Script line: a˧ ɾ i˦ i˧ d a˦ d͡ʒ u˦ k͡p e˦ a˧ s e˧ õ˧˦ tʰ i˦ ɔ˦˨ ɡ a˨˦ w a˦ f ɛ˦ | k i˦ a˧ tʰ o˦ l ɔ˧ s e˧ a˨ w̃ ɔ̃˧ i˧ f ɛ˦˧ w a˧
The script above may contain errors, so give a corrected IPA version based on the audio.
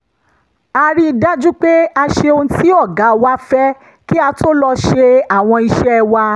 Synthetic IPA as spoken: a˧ ɾ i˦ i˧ d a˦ d͡ʒ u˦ k͡p e˦ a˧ ʃ e˧ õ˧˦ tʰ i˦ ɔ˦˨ ɡ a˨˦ w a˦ f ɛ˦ | k i˦ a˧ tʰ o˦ l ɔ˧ ʃ e˧ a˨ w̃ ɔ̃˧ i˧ ʃ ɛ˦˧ w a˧